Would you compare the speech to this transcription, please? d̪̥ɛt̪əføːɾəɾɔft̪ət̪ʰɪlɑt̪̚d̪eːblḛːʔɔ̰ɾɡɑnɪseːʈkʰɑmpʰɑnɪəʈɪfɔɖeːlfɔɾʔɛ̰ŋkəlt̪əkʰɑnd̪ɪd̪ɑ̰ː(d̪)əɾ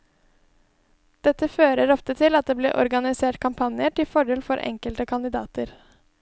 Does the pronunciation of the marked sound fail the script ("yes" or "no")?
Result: yes